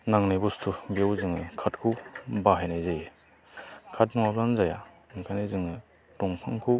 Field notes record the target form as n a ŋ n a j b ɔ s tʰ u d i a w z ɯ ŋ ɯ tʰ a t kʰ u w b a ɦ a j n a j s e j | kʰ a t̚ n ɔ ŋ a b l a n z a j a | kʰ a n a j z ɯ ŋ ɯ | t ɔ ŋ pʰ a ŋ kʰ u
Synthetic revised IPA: n a ŋ n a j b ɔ s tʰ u b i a w z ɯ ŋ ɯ kʰ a t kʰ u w b a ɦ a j n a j z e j | kʰ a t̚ n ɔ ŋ a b l a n z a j a | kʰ a n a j z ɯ ŋ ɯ | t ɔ ŋ pʰ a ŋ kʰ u

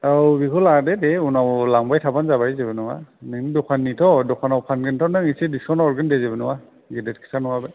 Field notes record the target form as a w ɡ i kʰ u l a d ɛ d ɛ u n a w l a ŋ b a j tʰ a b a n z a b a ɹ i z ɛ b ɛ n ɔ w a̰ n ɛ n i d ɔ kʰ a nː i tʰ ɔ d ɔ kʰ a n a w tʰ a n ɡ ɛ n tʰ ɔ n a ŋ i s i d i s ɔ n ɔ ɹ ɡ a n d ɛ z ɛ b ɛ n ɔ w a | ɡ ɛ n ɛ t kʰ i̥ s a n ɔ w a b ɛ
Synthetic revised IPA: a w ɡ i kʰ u l a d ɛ d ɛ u n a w l a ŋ b a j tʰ a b a n z a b a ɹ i z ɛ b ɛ n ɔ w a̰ n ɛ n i d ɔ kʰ a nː i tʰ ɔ d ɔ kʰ a n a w pʰ a n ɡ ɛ n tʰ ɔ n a ŋ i s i d i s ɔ n ɔ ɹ ɡ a n d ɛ z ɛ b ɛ n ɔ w a | ɡ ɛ d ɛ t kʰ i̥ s a n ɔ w a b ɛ

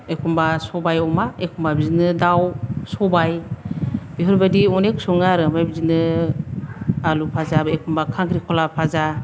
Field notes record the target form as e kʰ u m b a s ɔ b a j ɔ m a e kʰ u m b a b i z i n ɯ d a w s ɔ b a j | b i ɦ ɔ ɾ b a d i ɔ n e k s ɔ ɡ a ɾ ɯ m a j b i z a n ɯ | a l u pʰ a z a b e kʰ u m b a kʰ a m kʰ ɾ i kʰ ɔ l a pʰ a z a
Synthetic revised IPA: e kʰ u m b a s ɔ b a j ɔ m a e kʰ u m b a b i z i n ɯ d a w s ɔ b a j | b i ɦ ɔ ɾ b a d i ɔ n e k s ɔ ŋ a ɾ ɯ m a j b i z i n ɯ | a l u pʰ a z a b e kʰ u m b a kʰ a ŋ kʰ ɾ i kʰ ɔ l a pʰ a z a

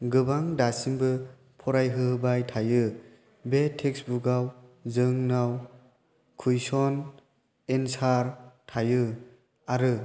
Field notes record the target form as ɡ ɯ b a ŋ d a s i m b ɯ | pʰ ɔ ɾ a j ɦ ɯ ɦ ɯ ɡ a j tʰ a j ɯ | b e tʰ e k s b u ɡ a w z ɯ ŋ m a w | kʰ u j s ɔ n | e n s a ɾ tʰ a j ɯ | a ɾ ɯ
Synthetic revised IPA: ɡ ɯ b a ŋ d a s i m b ɯ | pʰ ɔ ɾ a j ɦ ɯ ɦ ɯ b a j tʰ a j ɯ | b e tʰ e k s b u ɡ a w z ɯ ŋ n a w | kʰ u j s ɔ n | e n s a ɾ tʰ a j ɯ | a ɾ ɯ

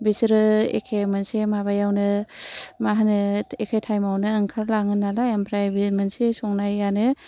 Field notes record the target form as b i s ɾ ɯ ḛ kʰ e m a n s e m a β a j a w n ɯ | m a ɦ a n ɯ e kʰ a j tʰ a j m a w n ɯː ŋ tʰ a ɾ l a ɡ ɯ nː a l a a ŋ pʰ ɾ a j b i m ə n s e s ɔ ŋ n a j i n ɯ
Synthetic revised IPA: b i s ɾ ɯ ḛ kʰ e m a n s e m a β a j a w n ɯ | m a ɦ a n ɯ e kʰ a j tʰ a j m a w n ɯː ŋ kʰ a ɾ l a ŋ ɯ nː a l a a m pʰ ɾ a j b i m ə n s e s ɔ ŋ n a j a n ɯ

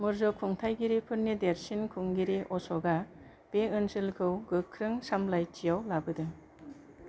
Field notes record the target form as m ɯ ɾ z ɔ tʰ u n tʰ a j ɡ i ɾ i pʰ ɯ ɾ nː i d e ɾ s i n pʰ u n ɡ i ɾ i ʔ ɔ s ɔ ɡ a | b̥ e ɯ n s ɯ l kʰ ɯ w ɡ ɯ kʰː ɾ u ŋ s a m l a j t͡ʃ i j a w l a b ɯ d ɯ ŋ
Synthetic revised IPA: m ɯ ɾ z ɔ kʰ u ŋ tʰ a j ɡ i ɾ i pʰ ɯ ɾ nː i d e ɾ s i n kʰ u ŋ ɡ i ɾ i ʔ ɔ s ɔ ɡ a | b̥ e ɯ n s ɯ l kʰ ɯ w ɡ ɯ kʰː ɾ ɯ ŋ s a m l a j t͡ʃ i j a w l a b ɯ d ɯ ŋ

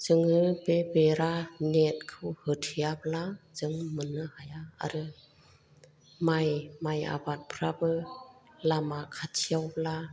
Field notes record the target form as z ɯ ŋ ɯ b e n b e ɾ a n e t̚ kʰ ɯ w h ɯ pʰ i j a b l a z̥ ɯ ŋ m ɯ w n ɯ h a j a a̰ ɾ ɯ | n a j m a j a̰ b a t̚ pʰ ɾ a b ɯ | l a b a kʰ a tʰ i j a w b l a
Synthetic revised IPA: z ɯ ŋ ɯ b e b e ɾ a n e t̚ kʰ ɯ w h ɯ tʰ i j a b l a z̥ ɯ ŋ m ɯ n ɯ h a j a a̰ ɾ ɯ | m a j m a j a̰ b a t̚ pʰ ɾ a b ɯ | l a m a kʰ a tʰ i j a w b l a

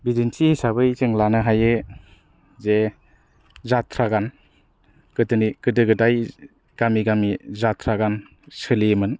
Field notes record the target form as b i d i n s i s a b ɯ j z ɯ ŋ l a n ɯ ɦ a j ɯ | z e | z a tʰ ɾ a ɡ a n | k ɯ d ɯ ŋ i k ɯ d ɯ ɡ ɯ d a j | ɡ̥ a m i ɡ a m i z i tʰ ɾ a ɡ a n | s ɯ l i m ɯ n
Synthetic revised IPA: b i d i n s i s a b ɯ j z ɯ ŋ l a n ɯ ɦ a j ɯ | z e | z a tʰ ɾ a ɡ a n | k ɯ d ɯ n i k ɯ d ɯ ɡ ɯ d a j | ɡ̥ a m i ɡ a m i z a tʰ ɾ a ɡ a n | s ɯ l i m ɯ n

